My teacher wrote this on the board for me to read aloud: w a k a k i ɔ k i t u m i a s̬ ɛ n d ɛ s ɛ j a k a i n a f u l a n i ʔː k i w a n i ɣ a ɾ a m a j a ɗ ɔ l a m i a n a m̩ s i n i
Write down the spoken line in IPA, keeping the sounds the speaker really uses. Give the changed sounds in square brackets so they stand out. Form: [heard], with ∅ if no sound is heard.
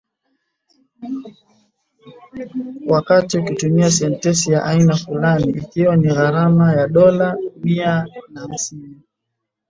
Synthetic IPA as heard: w a k a [t] i [u] k i t u m i a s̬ ɛ n [t] ɛ s [i] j a [ʔ] a i n a f u l a n i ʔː k i w a n i ɣ a ɾ a m a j a ɗ ɔ l a m i a n a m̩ s i n i